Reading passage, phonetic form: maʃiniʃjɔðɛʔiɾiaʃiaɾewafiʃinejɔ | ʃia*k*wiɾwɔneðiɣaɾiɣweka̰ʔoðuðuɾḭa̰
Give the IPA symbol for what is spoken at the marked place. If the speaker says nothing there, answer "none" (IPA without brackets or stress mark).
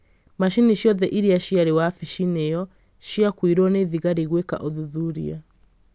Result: k